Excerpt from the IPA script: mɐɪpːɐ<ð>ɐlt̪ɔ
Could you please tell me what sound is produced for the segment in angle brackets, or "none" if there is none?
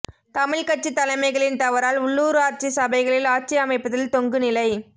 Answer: ð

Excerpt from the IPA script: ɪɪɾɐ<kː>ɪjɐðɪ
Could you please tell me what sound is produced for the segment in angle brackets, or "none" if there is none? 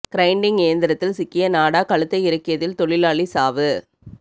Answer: kː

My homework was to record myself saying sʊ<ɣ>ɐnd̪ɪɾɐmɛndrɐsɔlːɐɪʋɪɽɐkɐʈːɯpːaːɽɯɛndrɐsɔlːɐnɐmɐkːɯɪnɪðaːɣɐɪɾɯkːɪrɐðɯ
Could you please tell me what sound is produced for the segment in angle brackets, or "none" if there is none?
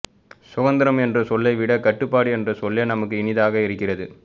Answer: ɣ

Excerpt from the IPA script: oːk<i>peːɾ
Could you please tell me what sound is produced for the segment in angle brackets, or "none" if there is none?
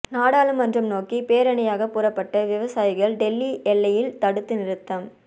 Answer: i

